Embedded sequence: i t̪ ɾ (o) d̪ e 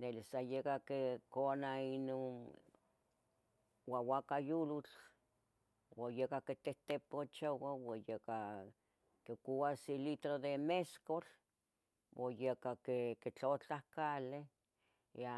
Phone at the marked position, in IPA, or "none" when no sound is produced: o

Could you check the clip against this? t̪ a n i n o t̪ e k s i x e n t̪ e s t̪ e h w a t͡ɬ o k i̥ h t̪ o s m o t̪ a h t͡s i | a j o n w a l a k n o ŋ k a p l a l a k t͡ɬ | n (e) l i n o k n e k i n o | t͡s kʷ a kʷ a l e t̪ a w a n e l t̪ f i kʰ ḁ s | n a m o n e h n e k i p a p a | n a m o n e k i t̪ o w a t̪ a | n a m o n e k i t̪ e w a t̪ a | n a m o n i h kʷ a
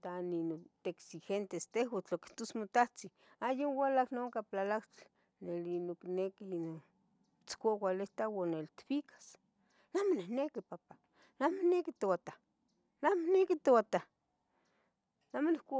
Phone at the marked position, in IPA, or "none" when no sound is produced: e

